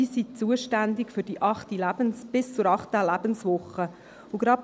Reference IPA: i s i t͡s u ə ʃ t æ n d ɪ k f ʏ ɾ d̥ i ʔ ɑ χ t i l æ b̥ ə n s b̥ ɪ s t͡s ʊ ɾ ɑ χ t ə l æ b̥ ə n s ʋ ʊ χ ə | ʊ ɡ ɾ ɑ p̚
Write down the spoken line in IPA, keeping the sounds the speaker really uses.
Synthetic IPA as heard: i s i t͡s u ə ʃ t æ n d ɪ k f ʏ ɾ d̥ i ʔ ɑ χ t i l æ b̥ ə n s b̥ ɪ s t͡s ʊ ɾ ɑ χ t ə l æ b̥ ə n s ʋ ʊ χ ə | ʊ ɡ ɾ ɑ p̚